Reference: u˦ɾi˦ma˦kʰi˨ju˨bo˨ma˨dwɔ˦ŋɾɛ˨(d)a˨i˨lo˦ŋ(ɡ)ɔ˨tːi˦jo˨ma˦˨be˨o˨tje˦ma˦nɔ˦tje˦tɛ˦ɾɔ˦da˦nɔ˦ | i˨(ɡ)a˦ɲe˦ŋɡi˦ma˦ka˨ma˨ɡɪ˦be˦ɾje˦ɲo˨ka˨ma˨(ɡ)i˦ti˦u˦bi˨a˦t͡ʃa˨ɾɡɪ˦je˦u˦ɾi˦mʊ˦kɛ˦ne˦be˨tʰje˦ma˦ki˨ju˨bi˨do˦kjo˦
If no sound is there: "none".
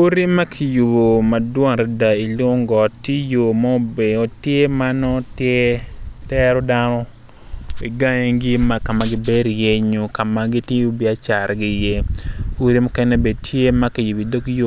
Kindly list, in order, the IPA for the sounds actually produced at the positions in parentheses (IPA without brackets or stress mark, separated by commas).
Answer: d, ɡ, ɡ, ɡ